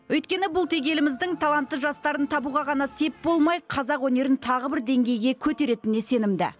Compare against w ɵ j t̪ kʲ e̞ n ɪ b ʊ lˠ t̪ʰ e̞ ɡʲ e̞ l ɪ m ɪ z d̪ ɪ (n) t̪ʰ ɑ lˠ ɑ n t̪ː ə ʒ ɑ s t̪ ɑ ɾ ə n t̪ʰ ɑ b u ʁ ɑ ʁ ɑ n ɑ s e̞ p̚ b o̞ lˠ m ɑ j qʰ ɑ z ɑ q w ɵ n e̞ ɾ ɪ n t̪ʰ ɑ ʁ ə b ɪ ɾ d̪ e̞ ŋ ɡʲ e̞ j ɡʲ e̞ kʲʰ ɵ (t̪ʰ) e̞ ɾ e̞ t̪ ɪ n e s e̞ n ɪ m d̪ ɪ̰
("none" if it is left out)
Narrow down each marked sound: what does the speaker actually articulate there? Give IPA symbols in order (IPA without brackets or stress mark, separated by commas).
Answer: ŋ, t̪